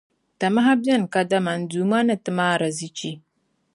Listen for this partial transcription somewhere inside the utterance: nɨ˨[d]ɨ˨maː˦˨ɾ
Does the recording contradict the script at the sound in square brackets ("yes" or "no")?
yes